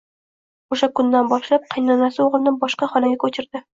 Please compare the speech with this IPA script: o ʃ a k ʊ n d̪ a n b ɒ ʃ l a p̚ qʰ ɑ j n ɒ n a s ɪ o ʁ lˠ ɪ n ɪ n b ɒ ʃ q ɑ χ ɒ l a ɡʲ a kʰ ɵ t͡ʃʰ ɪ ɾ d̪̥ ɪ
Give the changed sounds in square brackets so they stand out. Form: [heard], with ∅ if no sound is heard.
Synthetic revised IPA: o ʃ a k ʊ n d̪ a n b ɒ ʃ l a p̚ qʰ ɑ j n ɒ n a s ɪ o ʁ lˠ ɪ n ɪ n b ɒ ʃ q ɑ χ ɒ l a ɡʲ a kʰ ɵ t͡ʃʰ ɪ ɾ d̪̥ ɪ